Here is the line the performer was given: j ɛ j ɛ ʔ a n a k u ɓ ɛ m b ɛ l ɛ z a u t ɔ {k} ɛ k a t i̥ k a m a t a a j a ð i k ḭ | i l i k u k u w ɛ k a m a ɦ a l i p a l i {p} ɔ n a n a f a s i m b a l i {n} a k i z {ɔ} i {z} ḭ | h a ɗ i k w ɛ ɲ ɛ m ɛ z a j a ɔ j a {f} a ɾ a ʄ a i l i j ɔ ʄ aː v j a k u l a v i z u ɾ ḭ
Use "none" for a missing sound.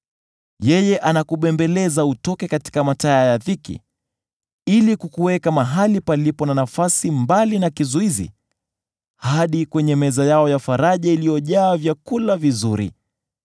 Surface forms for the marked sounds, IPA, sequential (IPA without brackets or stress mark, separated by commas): k, p, n, u, z, f